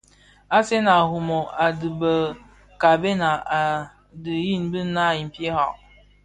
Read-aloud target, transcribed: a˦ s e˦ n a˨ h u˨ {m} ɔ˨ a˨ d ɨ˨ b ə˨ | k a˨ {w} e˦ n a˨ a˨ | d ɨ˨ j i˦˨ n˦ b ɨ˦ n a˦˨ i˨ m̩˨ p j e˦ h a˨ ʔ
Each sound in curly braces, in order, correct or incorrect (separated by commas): correct, incorrect